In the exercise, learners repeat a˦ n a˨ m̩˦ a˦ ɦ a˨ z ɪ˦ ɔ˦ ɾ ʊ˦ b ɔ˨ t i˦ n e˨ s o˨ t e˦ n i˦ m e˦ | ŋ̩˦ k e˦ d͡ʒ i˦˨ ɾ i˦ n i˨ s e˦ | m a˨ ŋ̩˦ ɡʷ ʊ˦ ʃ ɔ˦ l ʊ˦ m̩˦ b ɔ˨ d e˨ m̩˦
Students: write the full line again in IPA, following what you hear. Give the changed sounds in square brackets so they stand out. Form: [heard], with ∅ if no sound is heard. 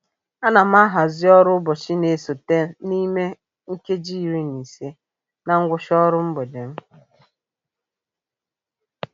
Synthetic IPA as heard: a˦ n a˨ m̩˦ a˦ ɦ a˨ z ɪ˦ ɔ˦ ɾ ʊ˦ b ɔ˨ [t͡ʃ] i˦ n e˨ s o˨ t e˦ n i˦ m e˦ | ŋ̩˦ k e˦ d͡ʒ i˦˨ ɾ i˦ n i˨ s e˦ | [n] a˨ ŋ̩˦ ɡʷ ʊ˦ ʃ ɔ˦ [ɾ] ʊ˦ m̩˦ b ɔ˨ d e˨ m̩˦